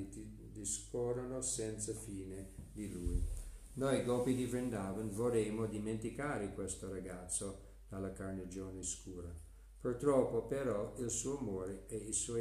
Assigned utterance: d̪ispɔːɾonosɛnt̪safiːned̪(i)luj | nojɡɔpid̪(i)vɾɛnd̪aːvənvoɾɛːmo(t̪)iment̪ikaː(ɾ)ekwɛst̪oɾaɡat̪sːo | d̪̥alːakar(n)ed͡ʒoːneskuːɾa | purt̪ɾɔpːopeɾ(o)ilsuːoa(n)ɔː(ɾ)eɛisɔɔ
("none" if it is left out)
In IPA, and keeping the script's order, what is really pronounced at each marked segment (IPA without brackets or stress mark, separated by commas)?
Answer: i, i, d̪, ɾ, n, ɔ, m, ɾ